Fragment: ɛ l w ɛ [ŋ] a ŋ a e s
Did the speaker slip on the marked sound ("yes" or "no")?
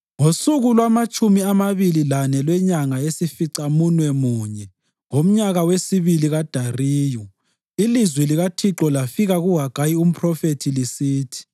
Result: yes